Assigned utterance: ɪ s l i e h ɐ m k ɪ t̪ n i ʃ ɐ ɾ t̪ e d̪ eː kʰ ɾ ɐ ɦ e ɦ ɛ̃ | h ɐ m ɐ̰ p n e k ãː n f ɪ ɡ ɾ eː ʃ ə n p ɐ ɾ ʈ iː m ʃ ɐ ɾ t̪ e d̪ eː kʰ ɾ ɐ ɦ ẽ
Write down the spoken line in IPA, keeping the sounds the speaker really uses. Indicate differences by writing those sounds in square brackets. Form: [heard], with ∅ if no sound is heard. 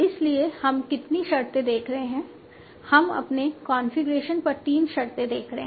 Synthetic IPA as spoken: ɪ s l i e h ɐ m k ɪ t̪ n i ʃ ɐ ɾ t̪ e d̪ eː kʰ ɾ ɐ ɦ e ɦ ɛ̃ | h ɐ m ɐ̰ p n e k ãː n f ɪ ɡ ɾ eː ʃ ə n p ɐ ɾ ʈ iː m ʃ ɐ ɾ t̪ e d̪ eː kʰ ɾ ɐ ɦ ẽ